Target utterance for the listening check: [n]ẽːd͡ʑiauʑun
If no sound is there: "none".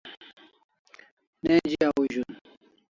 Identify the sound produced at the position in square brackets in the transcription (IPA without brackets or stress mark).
n